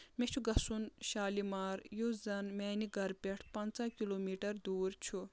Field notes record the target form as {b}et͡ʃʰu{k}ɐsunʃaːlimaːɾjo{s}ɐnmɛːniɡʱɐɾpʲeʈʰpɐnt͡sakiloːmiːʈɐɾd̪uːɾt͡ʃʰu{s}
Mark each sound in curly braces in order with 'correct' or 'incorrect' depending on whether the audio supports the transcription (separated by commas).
incorrect, incorrect, incorrect, incorrect